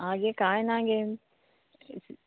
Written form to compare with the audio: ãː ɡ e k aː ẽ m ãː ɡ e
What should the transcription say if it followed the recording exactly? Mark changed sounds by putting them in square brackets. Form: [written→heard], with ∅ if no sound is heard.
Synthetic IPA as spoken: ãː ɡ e k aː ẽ [m→n] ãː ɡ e